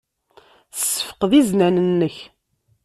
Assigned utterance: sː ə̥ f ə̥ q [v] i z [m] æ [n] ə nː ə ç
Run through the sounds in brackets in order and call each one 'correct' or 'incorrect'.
incorrect: ð, incorrect: n, correct

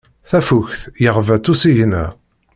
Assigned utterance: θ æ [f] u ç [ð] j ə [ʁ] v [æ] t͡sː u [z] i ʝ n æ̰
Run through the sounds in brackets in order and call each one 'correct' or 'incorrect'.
correct, incorrect: θ, correct, correct, incorrect: s

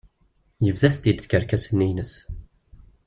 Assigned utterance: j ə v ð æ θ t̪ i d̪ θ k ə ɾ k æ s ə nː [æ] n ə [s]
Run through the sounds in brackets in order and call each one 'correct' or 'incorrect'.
incorrect: i, correct

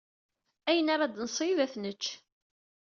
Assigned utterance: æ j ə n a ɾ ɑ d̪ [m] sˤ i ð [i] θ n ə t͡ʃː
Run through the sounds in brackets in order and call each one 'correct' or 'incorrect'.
incorrect: n, incorrect: æ

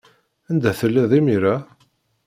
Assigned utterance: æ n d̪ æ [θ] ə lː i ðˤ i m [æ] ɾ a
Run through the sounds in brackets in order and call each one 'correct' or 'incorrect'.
correct, incorrect: i

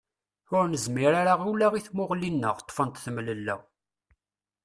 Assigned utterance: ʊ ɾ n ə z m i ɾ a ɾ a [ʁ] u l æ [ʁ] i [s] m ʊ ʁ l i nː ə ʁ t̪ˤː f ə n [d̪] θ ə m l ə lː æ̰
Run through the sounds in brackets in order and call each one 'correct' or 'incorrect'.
correct, correct, incorrect: θ, incorrect: t̪

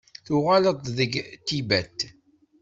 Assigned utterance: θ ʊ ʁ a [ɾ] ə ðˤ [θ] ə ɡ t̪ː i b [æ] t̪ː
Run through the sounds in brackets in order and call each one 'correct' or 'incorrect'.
incorrect: l, incorrect: ð, correct

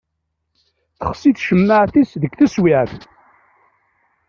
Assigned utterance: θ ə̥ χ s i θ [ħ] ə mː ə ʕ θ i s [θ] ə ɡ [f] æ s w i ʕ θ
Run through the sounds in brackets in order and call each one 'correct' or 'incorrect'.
incorrect: ʃ, incorrect: ð, incorrect: θ

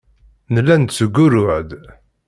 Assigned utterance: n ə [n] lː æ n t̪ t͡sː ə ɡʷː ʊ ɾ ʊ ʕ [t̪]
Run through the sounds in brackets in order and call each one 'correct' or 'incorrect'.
incorrect: none, incorrect: d̪

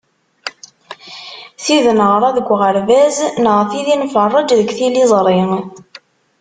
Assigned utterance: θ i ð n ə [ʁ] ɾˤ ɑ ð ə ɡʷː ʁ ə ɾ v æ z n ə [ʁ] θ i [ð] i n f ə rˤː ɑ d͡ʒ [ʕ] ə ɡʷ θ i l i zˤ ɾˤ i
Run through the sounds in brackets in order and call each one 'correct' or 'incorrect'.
correct, correct, correct, incorrect: ð

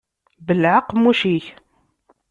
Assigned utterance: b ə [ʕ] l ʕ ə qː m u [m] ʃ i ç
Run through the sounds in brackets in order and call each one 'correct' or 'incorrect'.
incorrect: none, incorrect: none

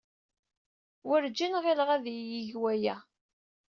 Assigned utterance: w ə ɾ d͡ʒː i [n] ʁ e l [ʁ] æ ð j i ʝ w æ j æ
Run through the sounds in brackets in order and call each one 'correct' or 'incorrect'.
correct, correct

